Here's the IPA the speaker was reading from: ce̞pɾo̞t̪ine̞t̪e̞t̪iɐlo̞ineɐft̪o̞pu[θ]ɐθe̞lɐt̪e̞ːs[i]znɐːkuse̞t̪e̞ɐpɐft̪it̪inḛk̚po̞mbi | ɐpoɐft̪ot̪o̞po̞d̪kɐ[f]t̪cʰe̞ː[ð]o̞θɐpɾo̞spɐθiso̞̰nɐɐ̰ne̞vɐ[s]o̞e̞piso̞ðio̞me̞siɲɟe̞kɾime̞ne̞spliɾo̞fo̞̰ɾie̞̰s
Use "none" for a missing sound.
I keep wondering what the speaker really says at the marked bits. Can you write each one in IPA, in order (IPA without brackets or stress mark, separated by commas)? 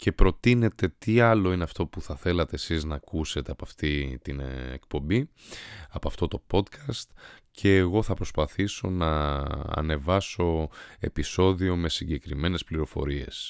θ, i, s, ɣ, s